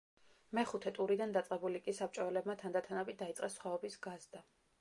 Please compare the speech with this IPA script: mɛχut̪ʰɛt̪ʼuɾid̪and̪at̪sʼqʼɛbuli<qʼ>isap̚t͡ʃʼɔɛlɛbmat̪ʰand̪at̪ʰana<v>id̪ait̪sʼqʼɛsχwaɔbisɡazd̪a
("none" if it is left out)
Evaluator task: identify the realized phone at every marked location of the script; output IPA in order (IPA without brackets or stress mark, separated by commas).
kʼ, b